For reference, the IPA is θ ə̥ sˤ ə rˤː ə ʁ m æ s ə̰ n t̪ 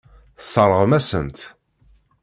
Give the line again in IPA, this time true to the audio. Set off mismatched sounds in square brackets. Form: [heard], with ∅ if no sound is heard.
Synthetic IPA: θ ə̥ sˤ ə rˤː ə ʁ m æ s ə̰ n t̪